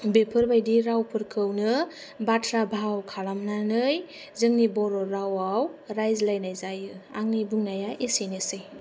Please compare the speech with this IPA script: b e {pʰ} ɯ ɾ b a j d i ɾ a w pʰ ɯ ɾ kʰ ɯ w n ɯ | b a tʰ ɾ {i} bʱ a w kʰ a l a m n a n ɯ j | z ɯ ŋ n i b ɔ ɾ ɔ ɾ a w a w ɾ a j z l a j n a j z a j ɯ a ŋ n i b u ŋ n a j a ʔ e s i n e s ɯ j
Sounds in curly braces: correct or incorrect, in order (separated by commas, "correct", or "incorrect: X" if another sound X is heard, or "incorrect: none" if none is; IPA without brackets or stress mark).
correct, incorrect: a